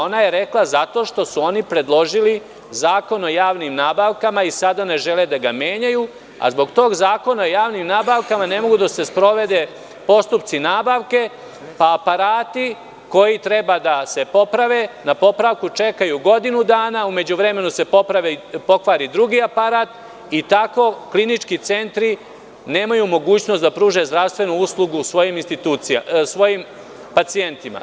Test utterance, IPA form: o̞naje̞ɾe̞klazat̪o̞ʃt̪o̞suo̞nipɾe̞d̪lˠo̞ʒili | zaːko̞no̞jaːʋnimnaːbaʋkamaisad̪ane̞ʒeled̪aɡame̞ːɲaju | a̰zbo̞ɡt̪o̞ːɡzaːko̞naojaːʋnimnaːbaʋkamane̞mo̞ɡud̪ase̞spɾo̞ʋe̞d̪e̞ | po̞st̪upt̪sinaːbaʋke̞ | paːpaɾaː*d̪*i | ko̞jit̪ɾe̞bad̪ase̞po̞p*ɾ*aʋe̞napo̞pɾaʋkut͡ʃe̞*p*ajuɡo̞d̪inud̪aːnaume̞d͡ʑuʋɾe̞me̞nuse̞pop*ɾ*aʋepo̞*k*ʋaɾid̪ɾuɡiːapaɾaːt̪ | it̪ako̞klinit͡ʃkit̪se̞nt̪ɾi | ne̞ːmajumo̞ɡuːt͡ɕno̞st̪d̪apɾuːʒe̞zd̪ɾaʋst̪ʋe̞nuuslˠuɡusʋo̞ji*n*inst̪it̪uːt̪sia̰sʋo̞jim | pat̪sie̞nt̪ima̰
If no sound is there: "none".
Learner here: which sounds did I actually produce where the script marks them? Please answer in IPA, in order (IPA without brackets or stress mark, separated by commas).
t̪, ɾ, k, ɾ, k, m